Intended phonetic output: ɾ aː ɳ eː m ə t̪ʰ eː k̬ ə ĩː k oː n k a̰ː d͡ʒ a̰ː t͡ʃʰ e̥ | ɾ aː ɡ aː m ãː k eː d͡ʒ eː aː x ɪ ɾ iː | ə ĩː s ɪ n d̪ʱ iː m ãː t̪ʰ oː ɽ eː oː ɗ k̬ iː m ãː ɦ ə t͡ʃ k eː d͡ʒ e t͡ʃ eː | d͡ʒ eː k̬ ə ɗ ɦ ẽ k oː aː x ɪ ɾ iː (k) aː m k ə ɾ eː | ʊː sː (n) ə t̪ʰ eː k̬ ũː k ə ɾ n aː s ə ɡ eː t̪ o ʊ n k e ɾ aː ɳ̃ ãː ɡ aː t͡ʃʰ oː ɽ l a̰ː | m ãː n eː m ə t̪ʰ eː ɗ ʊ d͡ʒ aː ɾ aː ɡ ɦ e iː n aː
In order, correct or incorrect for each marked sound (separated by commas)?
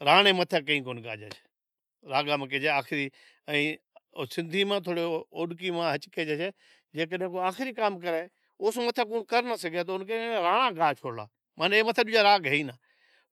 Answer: correct, incorrect